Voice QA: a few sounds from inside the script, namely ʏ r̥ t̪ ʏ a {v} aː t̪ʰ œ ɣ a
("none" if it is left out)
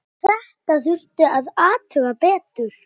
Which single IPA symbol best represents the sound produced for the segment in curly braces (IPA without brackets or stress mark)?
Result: ð